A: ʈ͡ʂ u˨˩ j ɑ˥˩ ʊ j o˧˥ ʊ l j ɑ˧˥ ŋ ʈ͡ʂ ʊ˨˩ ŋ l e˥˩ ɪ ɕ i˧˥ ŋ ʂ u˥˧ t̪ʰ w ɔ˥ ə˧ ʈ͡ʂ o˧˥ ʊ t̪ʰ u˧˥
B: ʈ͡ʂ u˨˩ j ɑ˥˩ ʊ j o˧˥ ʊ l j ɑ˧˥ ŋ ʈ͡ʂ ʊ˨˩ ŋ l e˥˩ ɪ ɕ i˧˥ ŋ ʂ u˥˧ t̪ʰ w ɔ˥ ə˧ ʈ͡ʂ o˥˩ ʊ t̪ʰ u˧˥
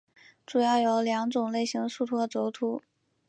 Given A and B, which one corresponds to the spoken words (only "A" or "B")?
A